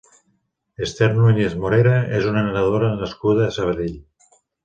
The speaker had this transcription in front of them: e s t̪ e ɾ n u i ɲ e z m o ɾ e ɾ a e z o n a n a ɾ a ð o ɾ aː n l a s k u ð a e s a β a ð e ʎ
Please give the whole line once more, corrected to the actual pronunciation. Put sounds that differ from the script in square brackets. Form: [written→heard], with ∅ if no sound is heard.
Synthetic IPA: e s t̪ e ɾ n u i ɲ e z m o ɾ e ɾ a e z [o→u] n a n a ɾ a ð o ɾ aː n l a s k u ð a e s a β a ð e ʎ